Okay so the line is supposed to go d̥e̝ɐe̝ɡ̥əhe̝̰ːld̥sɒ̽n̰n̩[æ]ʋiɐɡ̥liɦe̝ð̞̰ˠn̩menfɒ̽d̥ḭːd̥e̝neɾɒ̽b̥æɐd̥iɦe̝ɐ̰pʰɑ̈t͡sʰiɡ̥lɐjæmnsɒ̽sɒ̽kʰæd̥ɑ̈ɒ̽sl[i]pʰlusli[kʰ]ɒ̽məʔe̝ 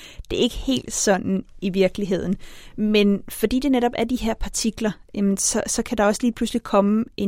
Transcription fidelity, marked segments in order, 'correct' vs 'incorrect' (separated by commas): incorrect, incorrect, correct